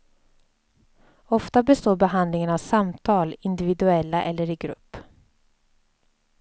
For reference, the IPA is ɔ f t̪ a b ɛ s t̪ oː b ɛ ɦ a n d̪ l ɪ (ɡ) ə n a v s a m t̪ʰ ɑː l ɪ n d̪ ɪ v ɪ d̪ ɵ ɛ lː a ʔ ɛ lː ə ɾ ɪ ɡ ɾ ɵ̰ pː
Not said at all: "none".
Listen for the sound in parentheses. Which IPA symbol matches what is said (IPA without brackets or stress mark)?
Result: ŋ